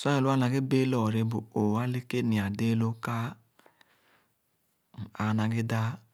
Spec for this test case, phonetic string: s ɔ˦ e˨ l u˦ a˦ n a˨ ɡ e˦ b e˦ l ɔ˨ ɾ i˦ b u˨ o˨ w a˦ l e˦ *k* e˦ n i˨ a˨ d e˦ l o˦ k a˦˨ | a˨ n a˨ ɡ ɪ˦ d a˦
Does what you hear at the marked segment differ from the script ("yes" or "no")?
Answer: no